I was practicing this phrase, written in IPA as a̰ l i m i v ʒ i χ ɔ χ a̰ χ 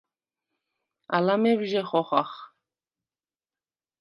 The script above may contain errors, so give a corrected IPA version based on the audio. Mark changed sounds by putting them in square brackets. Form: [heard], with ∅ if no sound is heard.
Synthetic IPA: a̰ l [a] m [ɛ] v ʒ [ɛ] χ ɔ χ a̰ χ